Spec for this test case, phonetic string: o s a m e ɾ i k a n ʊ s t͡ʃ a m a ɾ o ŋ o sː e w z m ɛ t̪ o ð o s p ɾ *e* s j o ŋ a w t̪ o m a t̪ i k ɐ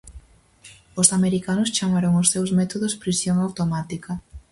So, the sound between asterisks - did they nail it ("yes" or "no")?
no